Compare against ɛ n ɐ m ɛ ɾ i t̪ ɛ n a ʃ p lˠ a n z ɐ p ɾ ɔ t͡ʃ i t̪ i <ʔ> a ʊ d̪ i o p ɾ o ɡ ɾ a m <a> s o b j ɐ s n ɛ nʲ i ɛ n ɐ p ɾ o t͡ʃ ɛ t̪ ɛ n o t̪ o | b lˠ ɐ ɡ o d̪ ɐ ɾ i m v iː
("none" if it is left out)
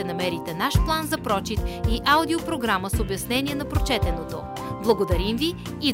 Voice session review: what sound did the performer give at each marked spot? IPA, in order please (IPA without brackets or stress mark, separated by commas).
ʔ, ə